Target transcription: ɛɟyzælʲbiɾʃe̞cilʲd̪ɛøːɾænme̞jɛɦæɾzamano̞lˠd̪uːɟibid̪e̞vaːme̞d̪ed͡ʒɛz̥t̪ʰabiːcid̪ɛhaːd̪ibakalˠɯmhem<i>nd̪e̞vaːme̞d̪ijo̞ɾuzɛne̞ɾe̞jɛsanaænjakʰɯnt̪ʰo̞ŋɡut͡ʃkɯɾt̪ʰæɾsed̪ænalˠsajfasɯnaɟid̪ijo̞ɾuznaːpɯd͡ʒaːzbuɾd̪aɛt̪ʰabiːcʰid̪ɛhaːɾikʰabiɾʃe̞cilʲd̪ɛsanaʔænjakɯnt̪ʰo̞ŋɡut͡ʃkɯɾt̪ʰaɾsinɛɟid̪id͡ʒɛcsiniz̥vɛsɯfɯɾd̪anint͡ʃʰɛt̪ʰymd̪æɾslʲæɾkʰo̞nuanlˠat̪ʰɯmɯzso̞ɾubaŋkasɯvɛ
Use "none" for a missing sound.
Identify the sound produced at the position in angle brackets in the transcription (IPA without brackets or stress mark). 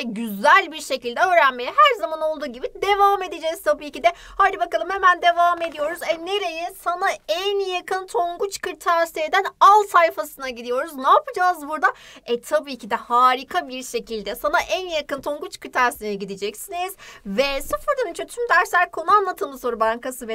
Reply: æ